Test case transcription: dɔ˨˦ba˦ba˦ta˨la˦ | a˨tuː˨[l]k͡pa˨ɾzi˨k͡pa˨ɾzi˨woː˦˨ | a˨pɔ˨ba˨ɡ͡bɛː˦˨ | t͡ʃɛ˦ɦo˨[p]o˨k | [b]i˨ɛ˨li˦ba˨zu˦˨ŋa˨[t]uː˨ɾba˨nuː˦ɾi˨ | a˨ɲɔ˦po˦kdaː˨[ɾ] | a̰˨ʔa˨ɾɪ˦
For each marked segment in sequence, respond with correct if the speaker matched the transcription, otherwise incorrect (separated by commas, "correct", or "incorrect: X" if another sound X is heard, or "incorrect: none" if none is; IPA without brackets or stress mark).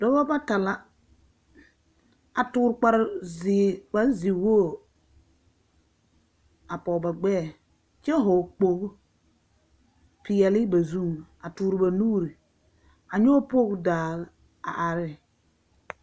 incorrect: ɾ, incorrect: k͡p, incorrect: p, correct, incorrect: l